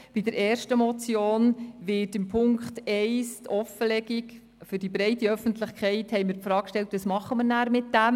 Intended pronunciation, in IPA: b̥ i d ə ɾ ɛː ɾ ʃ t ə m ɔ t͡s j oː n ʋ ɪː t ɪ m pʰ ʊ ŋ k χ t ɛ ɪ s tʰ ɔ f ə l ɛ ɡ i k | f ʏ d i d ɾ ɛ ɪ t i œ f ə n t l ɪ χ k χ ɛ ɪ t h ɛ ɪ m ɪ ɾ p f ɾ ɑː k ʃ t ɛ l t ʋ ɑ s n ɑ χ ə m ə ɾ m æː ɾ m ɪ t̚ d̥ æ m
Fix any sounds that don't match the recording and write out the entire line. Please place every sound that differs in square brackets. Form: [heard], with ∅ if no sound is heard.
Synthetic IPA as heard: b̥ i d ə ɾ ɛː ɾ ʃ t ə m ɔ t͡s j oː n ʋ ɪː t ɪ m pʰ ʊ ŋ k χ t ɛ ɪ s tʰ ɔ f ə l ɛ ɡ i k | f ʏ d i [b] ɾ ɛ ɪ t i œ f ə n t l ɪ χ k χ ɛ ɪ t h ɛ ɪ m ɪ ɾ p f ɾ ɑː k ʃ t ɛ l t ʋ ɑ s [m] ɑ χ ə m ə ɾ [n] æː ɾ m ɪ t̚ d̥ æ m